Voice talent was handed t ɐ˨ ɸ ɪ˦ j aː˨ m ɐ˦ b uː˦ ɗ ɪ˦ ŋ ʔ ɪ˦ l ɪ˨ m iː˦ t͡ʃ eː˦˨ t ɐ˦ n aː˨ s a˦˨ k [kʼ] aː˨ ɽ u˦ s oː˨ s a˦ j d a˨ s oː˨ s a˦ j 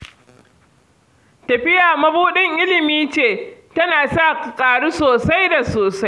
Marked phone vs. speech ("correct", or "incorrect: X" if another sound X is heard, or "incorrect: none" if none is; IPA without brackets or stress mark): correct